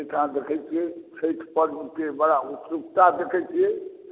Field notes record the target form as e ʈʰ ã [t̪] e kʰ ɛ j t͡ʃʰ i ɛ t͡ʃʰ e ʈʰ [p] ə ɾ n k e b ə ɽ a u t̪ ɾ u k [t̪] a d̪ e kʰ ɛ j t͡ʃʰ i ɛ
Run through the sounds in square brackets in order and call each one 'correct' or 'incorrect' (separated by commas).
incorrect, correct, correct